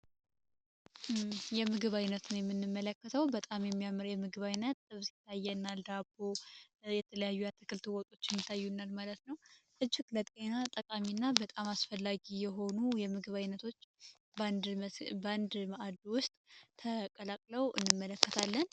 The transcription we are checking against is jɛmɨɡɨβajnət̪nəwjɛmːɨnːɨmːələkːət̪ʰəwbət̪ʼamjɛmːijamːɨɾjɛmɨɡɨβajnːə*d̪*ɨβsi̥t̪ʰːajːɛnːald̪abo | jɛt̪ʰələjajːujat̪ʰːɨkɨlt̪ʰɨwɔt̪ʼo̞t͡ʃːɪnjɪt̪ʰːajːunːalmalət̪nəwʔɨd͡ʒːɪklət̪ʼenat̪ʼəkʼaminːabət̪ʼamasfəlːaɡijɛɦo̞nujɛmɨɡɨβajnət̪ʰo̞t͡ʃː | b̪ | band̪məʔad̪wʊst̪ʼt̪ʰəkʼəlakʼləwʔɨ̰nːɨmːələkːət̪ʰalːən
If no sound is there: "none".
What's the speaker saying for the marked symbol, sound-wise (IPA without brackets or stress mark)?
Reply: t̪